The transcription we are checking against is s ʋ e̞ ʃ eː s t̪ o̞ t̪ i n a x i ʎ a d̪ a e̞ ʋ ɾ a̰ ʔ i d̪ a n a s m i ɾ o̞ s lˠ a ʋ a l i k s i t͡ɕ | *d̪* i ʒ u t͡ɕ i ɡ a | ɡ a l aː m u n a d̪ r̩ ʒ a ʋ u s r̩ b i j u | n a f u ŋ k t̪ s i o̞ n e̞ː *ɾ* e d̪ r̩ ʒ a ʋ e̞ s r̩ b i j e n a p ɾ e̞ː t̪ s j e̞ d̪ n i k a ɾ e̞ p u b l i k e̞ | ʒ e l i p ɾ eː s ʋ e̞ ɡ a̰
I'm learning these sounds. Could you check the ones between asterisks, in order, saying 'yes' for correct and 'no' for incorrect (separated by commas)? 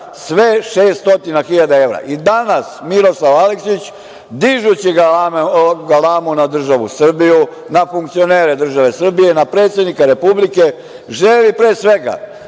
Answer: yes, yes